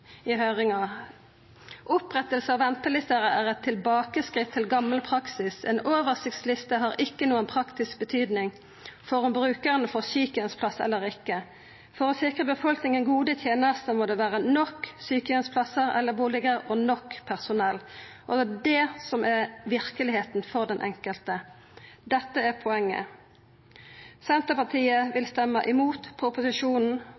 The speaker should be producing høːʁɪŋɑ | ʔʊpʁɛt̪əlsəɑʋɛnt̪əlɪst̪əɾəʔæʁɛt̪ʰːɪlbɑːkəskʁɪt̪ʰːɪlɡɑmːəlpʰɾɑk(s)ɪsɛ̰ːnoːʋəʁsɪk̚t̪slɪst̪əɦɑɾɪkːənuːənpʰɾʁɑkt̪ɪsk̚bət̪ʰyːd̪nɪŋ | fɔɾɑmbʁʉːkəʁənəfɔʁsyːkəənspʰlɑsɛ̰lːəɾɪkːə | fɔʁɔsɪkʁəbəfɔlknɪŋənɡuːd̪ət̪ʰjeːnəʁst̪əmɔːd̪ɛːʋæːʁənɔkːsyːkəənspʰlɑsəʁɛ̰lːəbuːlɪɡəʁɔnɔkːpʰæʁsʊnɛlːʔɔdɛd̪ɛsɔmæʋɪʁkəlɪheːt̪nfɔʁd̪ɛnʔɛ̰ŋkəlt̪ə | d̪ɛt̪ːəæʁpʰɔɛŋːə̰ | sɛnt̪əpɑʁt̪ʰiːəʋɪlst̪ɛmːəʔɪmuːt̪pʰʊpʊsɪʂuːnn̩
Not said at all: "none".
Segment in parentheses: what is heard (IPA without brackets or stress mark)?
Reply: s